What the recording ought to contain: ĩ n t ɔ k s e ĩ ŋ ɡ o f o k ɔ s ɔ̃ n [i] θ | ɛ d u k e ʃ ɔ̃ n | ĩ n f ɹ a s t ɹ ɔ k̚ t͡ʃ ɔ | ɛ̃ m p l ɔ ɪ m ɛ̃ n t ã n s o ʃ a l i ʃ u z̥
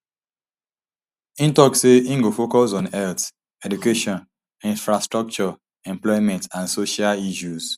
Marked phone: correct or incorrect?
incorrect: ɛ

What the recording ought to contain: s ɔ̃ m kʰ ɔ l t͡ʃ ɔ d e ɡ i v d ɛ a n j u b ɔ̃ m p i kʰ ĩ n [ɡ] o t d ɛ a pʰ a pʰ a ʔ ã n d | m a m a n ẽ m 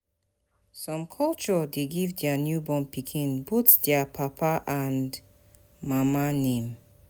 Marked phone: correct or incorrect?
incorrect: b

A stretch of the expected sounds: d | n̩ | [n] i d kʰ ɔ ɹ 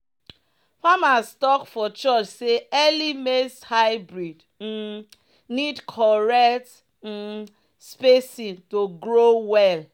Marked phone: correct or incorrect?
correct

